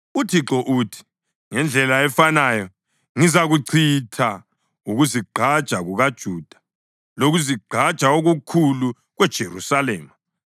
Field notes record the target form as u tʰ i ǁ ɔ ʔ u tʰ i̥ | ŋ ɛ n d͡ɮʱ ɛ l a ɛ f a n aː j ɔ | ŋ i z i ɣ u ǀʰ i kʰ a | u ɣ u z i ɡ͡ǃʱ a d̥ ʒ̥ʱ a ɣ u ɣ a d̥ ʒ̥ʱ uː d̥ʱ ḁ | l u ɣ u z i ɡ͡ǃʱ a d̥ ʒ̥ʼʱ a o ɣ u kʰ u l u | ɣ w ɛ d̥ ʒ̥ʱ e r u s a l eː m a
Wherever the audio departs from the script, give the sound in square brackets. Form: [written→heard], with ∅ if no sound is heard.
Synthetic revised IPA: u tʰ i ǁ ɔ ʔ u tʰ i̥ | ŋ ɛ n d͡ɮʱ ɛ l a ɛ f a n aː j ɔ | ŋ i z [i→a] ɣ u ǀʰ i [kʰ→tʰ] a | u ɣ u z i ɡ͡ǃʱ a d̥ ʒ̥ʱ a ɣ u ɣ a d̥ ʒ̥ʱ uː d̥ʱ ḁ | l [u→o] ɣ u z i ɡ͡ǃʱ a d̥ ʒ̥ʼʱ a o ɣ u kʰ u l u | ɣ w ɛ d̥ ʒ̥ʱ e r u s a l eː m a